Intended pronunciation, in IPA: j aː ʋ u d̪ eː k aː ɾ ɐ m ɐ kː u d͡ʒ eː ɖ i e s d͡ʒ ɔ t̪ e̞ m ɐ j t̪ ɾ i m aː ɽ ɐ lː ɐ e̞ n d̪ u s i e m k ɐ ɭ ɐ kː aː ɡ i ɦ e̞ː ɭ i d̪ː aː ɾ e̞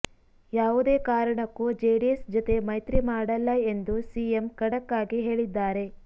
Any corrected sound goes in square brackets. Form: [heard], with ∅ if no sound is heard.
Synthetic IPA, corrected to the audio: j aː ʋ u d̪ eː k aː ɾ ɐ [ɳ] ɐ kː u d͡ʒ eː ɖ i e s d͡ʒ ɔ t̪ e̞ m ɐ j t̪ ɾ i m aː ɽ ɐ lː ɐ e̞ n d̪ u s i e m k ɐ [ɽ] ɐ kː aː ɡ i ɦ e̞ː ɭ i d̪ː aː ɾ e̞